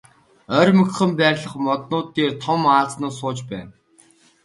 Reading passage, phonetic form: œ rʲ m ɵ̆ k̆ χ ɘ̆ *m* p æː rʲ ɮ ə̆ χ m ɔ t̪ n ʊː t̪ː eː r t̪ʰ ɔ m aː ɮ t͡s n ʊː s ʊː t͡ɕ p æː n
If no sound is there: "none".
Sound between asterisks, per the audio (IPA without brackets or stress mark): m